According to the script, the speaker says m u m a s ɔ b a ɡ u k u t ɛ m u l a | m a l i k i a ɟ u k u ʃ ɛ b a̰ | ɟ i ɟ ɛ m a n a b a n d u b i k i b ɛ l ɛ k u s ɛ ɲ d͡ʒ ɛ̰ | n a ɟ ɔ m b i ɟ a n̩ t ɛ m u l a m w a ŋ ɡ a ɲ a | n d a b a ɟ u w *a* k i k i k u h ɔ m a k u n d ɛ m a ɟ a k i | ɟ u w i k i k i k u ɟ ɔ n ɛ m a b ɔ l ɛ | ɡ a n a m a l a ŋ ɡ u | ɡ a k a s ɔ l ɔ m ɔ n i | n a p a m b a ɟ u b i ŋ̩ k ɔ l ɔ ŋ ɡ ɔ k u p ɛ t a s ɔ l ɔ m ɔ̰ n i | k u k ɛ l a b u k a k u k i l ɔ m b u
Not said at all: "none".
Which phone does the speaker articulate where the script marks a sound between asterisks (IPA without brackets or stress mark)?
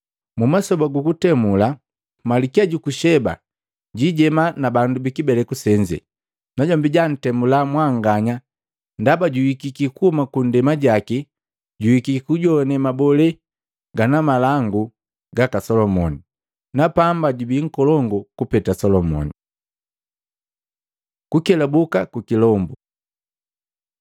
i